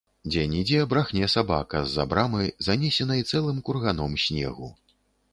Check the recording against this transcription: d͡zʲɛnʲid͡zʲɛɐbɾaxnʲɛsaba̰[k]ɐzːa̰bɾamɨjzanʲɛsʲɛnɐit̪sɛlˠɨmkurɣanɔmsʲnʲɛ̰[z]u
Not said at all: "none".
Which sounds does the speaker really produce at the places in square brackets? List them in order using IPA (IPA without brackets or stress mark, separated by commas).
k, ɣ